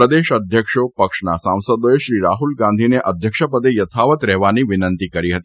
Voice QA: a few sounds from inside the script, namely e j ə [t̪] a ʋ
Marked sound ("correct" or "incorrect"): incorrect